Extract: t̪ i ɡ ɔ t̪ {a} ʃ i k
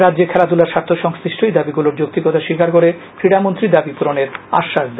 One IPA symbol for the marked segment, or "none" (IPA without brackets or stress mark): a